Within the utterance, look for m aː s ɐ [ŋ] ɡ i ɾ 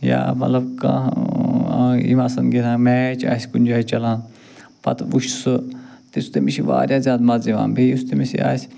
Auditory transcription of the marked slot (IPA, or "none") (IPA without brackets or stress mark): n